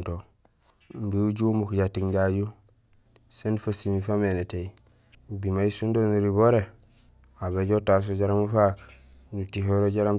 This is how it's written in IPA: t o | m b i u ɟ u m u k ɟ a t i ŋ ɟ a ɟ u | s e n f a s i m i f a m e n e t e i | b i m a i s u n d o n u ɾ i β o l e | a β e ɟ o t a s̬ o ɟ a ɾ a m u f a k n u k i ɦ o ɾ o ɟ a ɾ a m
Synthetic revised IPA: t o | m b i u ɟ u m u k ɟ a t i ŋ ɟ a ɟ u | s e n f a s i m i f a m e n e t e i | b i m a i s u n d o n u ɾ i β o ɾ e | a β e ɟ o t a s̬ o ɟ a ɾ a m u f a k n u t i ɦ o ɾ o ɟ a ɾ a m